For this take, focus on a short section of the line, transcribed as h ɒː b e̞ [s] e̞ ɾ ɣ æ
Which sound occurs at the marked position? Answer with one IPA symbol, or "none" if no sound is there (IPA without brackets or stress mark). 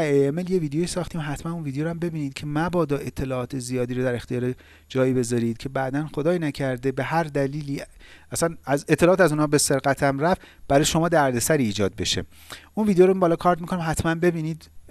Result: s